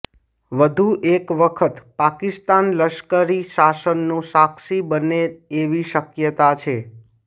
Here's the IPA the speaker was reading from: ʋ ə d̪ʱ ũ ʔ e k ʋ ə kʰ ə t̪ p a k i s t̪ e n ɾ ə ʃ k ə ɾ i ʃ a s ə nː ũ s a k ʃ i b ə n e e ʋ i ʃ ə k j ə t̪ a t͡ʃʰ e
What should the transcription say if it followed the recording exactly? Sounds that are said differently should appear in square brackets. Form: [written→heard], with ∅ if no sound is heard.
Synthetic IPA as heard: ʋ ə d̪ʱ [ũ→u] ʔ e k ʋ ə kʰ ə t̪ p a k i s t̪ [e→a] n [ɾ→l] ə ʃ k ə ɾ i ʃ a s ə nː ũ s a k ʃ i b ə n e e ʋ i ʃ ə k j ə t̪ a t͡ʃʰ e

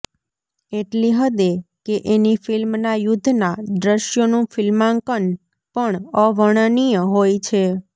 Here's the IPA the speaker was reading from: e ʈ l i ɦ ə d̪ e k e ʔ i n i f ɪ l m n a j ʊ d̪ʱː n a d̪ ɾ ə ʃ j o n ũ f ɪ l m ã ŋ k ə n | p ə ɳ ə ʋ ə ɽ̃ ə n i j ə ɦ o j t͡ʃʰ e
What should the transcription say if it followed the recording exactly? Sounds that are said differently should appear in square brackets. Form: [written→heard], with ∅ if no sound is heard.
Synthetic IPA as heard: e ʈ l i ɦ ə d̪ e k e ʔ [i→e] n i f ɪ l m n a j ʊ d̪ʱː n a d̪ ɾ ə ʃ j o n ũ f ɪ l m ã ŋ k ə n | p ə ɳ ə ʋ ə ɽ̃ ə n i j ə ɦ o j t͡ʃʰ e

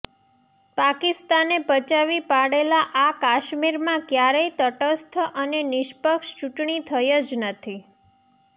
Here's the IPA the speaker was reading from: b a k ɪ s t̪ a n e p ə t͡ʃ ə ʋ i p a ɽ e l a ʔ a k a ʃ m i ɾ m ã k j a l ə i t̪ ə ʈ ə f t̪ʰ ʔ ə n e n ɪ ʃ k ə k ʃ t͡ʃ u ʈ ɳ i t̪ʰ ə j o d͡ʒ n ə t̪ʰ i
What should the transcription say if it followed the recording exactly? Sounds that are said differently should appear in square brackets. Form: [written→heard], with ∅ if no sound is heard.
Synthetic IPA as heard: [b→p] a k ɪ s t̪ a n e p ə t͡ʃ [ə→a] ʋ i p a ɽ e l a ʔ a k a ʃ m i ɾ m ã k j a [l→ɾ] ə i t̪ ə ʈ ə [f→s] t̪ʰ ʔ ə n e n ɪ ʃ [k→p] ə k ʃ t͡ʃ u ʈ ɳ i t̪ʰ ə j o d͡ʒ n ə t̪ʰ i

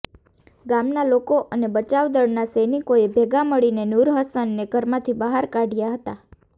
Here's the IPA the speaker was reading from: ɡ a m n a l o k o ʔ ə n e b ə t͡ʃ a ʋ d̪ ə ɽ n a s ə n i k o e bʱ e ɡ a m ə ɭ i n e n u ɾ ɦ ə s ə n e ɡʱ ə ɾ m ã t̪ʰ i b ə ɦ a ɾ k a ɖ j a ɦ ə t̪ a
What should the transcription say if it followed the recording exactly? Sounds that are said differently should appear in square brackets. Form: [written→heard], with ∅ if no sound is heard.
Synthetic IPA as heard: ɡ a m n a l o k o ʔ ə n e b ə t͡ʃ a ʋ d̪ ə ɽ n a s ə n i k o e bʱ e ɡ a m ə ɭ i n e n u ɾ ɦ ə s ə [n→nː] e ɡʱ ə ɾ m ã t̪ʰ i b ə ɦ a ɾ k a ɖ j a ɦ ə t̪ a

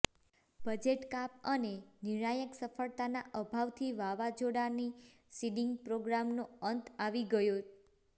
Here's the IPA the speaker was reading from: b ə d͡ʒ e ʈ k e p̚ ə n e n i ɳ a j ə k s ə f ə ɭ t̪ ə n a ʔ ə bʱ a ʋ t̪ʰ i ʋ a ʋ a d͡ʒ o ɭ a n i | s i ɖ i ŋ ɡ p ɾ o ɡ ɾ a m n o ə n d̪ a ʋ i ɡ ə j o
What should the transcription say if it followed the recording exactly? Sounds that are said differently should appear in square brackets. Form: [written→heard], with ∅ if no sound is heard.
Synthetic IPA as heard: b ə d͡ʒ e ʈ k [e→a] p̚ ə n e n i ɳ a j ə k s ə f ə ɭ t̪ [ə→a] n a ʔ ə bʱ a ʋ t̪ʰ i ʋ a ʋ a d͡ʒ o [ɭ→ɽ] a n i | s i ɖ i ŋ ɡ p ɾ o ɡ ɾ a m n o ə n [d̪→t̪] a ʋ i ɡ ə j o

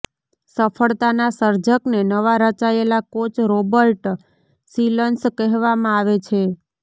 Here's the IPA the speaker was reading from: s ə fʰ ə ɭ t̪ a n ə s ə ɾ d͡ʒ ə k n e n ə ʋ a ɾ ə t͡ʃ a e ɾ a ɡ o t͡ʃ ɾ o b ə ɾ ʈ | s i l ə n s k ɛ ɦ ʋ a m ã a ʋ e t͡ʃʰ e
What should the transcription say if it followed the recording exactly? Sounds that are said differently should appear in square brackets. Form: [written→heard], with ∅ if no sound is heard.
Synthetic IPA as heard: s ə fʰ ə ɭ t̪ a n [ə→a] s ə ɾ d͡ʒ ə k n e n ə ʋ a ɾ ə t͡ʃ a e [ɾ→l] a [ɡ→k] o t͡ʃ ɾ o b ə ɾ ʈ | s i l ə n s k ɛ ɦ ʋ a m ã a ʋ e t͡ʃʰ e

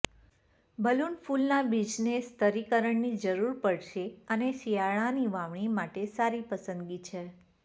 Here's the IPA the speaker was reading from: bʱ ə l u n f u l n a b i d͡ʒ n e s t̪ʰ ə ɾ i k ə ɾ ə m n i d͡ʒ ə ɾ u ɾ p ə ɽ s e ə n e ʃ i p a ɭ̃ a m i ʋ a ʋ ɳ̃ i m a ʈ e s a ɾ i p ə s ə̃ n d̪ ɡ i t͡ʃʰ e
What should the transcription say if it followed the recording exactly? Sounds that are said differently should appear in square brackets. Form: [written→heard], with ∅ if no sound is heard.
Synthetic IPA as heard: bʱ ə l u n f u l n a b i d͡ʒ n e s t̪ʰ ə ɾ i k ə ɾ ə [m→ɳ] n i d͡ʒ ə ɾ u ɾ p ə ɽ [s→ʃ] e ə n e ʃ i [p→∅] a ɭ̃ a [m→n] i ʋ a ʋ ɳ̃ i m a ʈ e s a ɾ i p ə s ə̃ n d̪ ɡ i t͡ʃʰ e

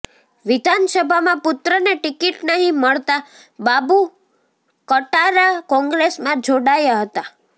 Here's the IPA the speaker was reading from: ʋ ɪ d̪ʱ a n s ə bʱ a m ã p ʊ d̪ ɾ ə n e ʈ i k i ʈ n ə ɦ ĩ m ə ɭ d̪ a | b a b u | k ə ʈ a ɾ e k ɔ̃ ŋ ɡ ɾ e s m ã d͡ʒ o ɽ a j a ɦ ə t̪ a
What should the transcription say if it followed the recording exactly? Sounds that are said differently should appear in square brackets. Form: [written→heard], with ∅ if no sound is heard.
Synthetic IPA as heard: ʋ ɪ d̪ʱ a n s ə bʱ a m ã p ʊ [d̪→t̪] ɾ ə n e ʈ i k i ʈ n ə ɦ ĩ m ə ɭ [d̪→t̪] a | b a b u | k ə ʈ a ɾ [e→a] k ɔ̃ ŋ ɡ ɾ e s m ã d͡ʒ o ɽ a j a ɦ ə t̪ a

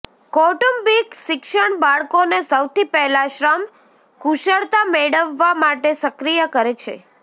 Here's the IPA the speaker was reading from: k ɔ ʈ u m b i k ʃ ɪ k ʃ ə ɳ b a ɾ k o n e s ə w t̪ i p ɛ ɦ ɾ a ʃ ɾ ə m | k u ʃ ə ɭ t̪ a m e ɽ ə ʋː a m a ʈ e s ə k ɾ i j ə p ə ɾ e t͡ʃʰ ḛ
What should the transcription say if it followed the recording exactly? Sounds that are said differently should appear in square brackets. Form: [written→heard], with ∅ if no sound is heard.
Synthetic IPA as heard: k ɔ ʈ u m b i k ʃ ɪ k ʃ ə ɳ b a [ɾ→ɭ] k o n e s ə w t̪ i p ɛ ɦ [ɾ→l] a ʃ ɾ ə m | k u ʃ ə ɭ t̪ a m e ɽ ə ʋː a m a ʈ e s ə k ɾ i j ə [p→k] ə ɾ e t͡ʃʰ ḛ

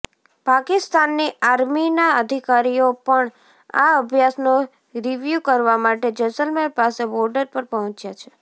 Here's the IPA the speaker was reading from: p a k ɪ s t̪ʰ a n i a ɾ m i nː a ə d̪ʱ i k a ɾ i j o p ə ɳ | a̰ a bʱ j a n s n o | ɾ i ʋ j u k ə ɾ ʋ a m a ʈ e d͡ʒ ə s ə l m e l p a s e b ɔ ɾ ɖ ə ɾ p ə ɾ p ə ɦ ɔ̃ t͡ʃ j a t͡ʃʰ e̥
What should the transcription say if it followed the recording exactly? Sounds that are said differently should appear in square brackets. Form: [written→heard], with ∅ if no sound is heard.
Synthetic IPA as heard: p a k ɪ s [t̪ʰ→t̪] a [n→nː] i a ɾ m i [nː→n] a ə d̪ʱ i k a ɾ i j o p ə ɳ | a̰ [a→ə] bʱ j a [n→∅] s n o | ɾ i ʋ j u k ə ɾ ʋ a m a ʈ e d͡ʒ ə s ə l m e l p a s e b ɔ ɾ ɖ ə ɾ p ə ɾ p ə ɦ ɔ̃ t͡ʃ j a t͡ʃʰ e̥

